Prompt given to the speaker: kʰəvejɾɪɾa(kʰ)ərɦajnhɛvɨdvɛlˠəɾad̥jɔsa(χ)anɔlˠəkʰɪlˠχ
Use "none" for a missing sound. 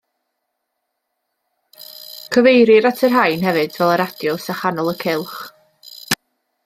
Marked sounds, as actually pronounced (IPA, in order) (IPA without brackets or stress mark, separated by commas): tʰ, χ